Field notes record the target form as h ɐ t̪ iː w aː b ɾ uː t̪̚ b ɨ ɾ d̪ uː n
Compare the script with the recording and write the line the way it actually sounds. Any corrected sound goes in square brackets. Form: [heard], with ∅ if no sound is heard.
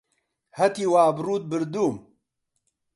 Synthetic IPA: h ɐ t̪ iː w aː b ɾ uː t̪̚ b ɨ ɾ d̪ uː [m]